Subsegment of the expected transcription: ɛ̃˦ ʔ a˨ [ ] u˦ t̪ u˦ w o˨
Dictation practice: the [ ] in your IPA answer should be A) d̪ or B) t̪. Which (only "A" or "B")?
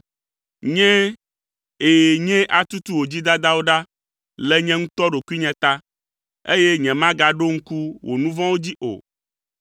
B